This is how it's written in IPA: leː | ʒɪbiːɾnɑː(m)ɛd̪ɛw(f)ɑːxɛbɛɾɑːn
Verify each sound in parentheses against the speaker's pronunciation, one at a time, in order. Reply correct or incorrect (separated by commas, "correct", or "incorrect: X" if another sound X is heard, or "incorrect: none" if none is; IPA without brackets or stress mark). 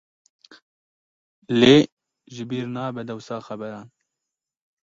incorrect: b, incorrect: s